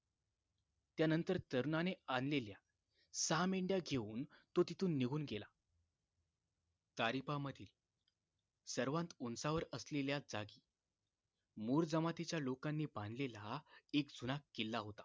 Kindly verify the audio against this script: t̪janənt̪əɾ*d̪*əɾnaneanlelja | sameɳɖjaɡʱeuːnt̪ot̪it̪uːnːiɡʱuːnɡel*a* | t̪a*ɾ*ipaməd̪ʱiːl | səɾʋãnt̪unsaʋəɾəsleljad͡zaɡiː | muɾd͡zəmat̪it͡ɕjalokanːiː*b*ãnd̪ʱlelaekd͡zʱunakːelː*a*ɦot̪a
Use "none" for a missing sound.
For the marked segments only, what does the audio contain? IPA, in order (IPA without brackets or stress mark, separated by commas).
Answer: t̪, a, ɾ, b, a